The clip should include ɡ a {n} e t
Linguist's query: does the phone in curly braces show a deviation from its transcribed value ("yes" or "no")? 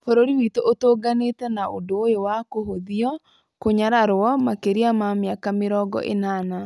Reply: no